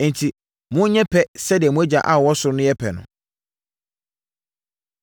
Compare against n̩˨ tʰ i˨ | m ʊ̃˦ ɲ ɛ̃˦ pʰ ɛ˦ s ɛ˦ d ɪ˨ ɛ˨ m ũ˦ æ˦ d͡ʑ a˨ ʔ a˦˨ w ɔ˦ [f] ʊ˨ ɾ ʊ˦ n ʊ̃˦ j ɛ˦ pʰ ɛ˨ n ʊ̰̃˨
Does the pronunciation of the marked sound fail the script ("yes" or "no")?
yes